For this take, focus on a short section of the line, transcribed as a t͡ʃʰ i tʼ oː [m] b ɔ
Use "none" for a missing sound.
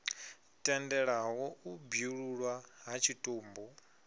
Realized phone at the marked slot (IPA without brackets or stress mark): m